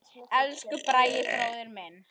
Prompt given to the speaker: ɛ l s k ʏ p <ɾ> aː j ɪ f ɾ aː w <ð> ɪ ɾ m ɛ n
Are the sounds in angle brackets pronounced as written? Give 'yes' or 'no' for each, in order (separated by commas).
yes, yes